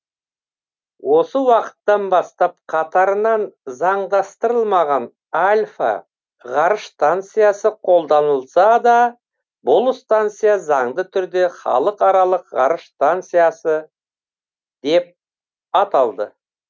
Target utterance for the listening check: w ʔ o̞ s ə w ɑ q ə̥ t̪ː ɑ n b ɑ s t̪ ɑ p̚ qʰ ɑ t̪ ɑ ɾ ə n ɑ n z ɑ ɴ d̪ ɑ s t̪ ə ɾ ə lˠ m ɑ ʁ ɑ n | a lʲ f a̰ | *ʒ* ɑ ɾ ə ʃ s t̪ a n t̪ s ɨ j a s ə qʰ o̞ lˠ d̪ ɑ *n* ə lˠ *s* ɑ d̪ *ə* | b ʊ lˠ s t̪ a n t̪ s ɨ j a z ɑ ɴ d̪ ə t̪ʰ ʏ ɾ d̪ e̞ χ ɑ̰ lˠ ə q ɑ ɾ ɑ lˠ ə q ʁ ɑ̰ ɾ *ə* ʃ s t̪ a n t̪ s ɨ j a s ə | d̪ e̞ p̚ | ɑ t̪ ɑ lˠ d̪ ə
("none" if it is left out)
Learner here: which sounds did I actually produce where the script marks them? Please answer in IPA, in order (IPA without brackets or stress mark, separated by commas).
ʁ, n, s, ɑ, ə